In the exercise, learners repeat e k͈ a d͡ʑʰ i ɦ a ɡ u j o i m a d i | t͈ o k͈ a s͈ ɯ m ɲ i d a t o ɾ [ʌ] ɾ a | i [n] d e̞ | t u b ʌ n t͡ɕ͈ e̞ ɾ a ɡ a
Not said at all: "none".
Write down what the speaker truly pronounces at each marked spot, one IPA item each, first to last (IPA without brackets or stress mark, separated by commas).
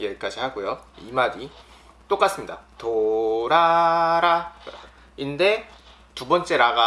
a, n